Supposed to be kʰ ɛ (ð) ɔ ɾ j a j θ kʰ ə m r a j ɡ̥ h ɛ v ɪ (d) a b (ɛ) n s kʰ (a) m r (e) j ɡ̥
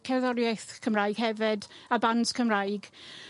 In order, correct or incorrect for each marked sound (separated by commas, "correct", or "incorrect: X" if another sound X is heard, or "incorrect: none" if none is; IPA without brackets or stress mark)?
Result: correct, correct, incorrect: a, incorrect: ə, incorrect: a